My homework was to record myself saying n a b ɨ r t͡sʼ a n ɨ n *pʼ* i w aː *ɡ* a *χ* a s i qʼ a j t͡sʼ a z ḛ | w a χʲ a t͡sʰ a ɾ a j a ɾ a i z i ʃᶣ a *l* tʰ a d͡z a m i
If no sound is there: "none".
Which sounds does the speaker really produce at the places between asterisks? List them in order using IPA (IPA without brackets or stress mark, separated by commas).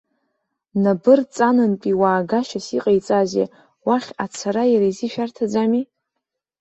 pʼ, ɡ, ʃ, r